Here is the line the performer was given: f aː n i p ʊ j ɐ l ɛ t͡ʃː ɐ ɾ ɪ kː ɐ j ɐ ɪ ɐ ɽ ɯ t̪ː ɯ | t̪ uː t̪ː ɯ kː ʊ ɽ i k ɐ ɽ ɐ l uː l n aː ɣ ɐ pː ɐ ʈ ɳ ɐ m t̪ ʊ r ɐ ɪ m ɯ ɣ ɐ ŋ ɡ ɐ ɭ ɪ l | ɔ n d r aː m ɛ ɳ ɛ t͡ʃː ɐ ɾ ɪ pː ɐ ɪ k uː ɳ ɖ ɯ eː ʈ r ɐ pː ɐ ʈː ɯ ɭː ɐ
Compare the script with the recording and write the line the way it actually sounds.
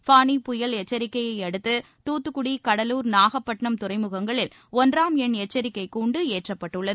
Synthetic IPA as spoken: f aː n i p ʊ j ɐ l ɛ t͡ʃː ɐ ɾ ɪ kː ɐ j ɐ ɪ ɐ ɽ ɯ t̪ː ɯ | t̪ uː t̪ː ɯ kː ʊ ɽ i k ɐ ɽ ɐ l uː ɾ n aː ɣ ɐ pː ɐ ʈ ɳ ɐ m t̪ ʊ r ɐ ɪ m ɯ ɣ ɐ ŋ ɡ ɐ ɭ ɪ l | ɔ n d r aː m ɛ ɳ ɛ t͡ʃː ɐ ɾ ɪ kː ɐ ɪ k uː ɳ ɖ ɯ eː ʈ r ɐ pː ɐ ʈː ɯ ɭː ɐ

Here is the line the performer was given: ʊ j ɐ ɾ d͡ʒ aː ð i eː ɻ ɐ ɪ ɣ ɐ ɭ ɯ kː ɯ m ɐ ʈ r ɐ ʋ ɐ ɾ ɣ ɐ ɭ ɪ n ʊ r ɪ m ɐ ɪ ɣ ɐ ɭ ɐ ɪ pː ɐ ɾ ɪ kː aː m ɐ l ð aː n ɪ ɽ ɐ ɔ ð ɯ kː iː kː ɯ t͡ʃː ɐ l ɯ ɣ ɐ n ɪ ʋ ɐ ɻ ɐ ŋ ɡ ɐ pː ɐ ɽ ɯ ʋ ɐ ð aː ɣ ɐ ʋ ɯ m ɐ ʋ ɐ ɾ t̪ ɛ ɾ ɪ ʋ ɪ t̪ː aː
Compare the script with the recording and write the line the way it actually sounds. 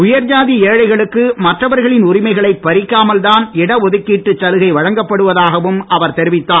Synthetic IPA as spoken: ʊ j ɐ ɾ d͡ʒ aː ð i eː ɻ ɐ ɪ ɣ ɐ ɭ ɯ kː ɯ m ɐ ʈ r ɐ ʋ ɐ ɾ ɣ ɐ ɭ ɪ n ʊ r ɪ m ɐ ɪ ɣ ɐ ɭ ɐ ɪ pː ɐ ɾ ɪ kː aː m ɐ l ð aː n ɪ ɽ ɐ ɔ ð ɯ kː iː ʈː ɯ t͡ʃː ɐ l ɯ ɣ ɐ ɪ ʋ ɐ ɻ ɐ ŋ ɡ ɐ pː ɐ ɽ ɯ ʋ ɐ ð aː ɣ ɐ ʋ ɯ m ɐ ʋ ɐ ɾ t̪ ɛ ɾ ɪ ʋ ɪ t̪ː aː

